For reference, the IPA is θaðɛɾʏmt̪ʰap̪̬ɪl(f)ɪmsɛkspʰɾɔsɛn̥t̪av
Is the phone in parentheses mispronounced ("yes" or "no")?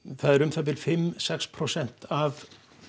no